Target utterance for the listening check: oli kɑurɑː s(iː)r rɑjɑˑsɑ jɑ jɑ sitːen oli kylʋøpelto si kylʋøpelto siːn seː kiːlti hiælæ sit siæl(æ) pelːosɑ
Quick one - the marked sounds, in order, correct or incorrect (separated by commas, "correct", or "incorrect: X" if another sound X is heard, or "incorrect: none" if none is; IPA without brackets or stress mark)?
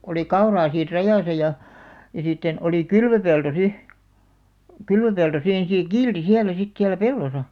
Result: correct, correct